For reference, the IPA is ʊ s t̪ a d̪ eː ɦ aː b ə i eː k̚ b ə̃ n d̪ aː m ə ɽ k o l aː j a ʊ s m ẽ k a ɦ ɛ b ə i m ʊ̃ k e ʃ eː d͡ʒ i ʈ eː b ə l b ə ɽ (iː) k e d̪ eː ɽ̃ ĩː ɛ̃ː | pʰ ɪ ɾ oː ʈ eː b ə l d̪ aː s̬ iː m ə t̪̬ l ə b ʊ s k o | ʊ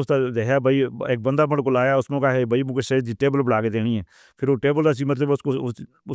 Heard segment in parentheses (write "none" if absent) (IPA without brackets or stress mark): aː